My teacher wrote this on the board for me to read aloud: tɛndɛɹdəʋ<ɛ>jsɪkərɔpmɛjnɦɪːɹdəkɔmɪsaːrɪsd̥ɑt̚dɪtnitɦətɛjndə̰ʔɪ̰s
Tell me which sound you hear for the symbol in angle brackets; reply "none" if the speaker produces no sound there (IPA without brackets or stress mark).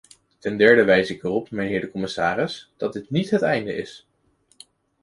ɛ